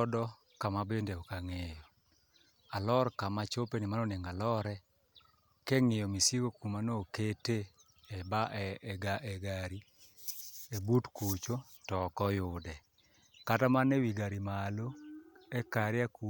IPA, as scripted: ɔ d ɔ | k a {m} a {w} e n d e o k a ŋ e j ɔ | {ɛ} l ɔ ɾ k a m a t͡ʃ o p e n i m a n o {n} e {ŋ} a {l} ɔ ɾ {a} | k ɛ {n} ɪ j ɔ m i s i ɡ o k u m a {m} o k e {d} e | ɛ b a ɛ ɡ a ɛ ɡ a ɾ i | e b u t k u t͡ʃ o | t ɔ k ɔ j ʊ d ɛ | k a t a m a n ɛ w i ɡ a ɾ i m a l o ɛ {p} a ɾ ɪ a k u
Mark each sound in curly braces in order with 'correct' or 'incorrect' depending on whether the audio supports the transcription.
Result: correct, incorrect, incorrect, correct, correct, correct, incorrect, incorrect, incorrect, incorrect, incorrect

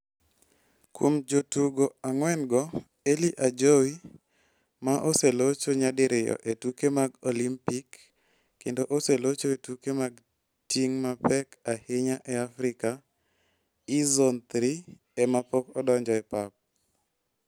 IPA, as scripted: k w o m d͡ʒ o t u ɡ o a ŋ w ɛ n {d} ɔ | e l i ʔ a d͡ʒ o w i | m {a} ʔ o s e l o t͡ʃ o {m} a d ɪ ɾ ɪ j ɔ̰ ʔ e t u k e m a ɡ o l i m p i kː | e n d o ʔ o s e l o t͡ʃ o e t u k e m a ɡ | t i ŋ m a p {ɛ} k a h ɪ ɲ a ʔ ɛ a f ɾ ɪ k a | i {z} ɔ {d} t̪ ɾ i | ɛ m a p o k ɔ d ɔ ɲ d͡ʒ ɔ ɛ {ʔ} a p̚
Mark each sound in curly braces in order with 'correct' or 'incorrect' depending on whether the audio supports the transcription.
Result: incorrect, correct, incorrect, correct, correct, incorrect, incorrect

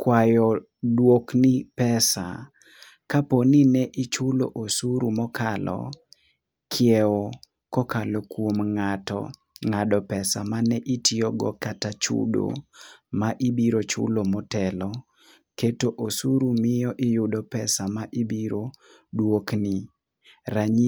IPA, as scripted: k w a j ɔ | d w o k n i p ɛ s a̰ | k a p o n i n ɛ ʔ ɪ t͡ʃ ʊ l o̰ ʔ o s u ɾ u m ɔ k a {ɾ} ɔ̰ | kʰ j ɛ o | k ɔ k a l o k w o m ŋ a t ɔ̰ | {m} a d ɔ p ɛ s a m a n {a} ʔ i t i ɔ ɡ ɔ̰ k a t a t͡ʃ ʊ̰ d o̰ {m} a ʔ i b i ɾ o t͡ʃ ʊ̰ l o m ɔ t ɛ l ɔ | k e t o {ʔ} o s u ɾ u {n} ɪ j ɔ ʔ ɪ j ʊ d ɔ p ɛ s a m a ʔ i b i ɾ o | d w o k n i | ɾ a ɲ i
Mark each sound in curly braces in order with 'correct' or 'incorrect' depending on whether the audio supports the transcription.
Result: incorrect, incorrect, incorrect, correct, correct, incorrect

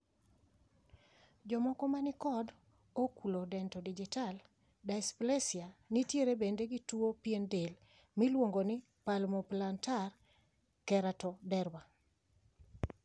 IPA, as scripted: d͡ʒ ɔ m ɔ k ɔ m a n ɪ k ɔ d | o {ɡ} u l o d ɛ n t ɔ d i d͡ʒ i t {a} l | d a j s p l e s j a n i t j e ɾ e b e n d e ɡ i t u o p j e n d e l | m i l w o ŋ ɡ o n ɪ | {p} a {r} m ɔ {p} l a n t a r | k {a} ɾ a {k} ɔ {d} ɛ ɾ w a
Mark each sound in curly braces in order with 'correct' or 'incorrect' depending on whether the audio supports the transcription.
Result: incorrect, correct, correct, incorrect, correct, incorrect, incorrect, correct

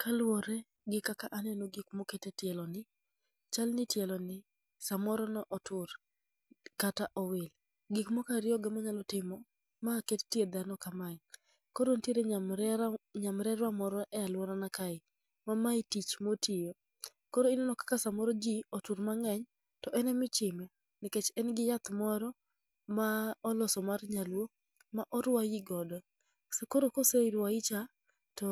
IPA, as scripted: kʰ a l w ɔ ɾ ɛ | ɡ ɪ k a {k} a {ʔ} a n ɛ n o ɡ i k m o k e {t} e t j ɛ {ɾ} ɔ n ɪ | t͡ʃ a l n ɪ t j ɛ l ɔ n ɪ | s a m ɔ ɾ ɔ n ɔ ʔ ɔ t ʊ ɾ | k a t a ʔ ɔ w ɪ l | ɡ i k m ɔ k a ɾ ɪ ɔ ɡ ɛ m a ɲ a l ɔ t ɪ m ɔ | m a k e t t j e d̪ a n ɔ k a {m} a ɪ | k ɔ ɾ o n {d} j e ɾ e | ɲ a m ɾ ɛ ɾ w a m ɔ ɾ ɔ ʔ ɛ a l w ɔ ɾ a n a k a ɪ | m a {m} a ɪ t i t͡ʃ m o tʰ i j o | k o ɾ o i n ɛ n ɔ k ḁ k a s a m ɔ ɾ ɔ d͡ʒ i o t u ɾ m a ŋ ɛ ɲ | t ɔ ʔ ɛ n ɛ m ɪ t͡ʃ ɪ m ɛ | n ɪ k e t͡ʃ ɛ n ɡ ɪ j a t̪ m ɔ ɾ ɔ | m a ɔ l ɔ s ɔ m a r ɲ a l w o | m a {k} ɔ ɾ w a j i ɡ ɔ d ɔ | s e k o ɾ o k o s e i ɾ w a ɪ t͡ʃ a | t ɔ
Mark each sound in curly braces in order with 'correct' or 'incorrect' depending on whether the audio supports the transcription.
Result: correct, correct, correct, incorrect, correct, incorrect, correct, incorrect

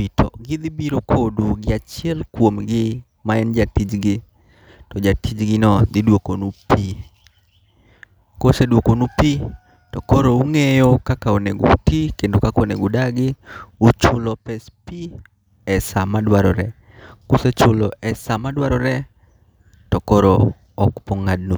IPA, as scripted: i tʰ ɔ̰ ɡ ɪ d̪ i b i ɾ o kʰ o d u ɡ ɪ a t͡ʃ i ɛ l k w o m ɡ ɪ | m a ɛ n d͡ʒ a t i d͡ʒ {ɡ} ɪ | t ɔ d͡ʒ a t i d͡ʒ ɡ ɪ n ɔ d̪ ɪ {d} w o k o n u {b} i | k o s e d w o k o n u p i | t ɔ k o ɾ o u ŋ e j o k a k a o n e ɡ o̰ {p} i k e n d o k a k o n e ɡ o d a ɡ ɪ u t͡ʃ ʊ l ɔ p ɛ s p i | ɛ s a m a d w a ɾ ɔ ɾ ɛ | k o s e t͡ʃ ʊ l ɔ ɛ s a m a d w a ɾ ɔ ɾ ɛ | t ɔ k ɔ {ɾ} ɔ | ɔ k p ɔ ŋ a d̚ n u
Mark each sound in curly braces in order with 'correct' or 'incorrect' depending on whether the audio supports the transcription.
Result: correct, correct, incorrect, incorrect, correct

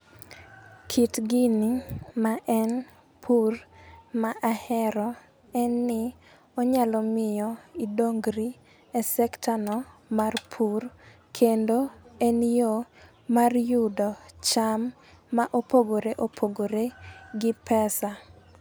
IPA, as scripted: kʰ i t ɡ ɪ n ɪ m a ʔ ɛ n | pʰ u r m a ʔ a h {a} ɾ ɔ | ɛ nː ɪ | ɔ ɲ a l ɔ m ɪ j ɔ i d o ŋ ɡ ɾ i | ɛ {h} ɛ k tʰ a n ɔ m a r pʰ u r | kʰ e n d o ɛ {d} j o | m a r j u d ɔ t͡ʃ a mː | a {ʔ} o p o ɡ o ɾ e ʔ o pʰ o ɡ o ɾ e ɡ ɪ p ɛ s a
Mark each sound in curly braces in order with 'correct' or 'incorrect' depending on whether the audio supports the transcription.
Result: incorrect, incorrect, incorrect, correct

